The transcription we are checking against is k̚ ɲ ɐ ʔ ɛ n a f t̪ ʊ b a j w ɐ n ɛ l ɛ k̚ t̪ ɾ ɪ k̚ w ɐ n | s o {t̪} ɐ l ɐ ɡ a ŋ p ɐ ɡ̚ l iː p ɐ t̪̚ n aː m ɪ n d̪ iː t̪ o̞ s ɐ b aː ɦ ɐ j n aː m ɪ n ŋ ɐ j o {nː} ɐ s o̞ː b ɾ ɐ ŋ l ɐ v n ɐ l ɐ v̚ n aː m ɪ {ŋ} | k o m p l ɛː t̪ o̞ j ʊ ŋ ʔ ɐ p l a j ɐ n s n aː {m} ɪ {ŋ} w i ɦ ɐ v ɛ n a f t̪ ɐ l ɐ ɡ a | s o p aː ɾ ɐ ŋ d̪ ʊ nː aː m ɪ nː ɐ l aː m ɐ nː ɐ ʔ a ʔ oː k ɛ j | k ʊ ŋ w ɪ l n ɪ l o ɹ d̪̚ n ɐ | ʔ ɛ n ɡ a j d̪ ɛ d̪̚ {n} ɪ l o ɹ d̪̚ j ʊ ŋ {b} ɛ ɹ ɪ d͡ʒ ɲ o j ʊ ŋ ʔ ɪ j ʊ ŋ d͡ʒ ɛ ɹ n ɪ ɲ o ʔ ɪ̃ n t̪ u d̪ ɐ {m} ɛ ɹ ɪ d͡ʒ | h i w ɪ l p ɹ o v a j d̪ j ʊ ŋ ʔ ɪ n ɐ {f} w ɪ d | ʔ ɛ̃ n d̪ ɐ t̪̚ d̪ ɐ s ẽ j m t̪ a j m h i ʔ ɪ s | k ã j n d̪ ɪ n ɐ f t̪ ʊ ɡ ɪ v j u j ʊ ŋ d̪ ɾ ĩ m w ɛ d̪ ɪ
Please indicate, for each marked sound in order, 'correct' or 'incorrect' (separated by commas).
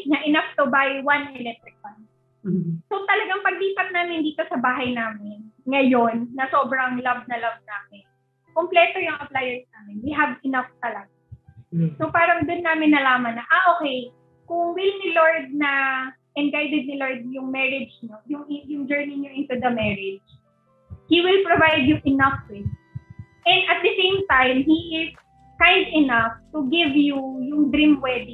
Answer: correct, correct, incorrect, correct, incorrect, correct, incorrect, correct, correct